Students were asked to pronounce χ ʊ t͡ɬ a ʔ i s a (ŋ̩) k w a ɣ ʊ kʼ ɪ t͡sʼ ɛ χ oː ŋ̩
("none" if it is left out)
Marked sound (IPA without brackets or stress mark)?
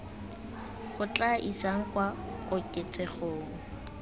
ŋ̩